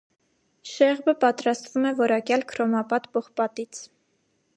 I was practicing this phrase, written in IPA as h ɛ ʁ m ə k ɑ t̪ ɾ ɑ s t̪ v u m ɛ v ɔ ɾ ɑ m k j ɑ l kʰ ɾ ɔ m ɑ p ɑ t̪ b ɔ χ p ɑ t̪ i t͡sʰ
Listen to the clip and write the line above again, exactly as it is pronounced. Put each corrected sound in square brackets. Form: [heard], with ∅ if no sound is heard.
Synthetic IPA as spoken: [ʃ] ɛ ʁ [b] ə [p] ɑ t̪ ɾ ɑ s t̪ v u m ɛ v ɔ ɾ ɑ [∅] k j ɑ l kʰ ɾ ɔ m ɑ p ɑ t̪ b ɔ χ p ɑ t̪ i t͡sʰ